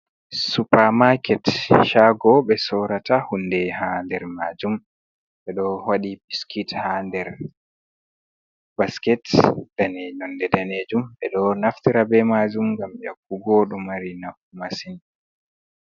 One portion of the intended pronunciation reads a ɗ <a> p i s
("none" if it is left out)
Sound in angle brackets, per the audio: i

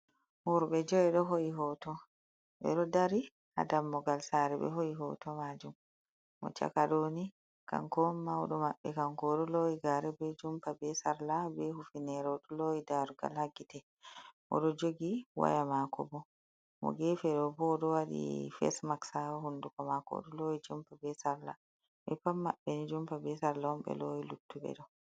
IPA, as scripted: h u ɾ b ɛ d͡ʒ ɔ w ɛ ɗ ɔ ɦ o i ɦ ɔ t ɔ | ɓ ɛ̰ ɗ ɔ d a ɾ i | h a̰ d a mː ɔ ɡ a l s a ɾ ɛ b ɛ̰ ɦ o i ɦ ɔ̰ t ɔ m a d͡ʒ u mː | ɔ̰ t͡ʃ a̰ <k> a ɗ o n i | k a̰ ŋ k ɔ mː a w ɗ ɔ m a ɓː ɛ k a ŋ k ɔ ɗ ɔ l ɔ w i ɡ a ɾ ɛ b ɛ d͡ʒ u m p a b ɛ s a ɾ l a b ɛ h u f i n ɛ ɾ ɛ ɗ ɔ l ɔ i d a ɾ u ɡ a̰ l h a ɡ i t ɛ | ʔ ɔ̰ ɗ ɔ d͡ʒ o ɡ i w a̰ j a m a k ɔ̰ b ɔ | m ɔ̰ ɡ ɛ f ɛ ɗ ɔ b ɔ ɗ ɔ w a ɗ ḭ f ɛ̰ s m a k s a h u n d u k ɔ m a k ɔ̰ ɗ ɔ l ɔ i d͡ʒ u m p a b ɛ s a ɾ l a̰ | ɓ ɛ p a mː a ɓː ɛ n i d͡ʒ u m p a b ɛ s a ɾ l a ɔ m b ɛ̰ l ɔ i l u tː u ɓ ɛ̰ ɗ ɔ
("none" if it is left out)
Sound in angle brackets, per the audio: k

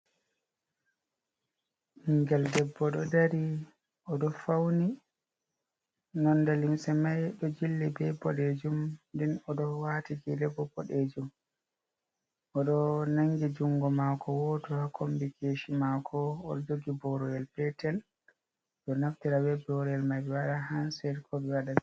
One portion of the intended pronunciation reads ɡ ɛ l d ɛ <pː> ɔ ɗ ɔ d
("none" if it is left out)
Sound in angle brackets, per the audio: bː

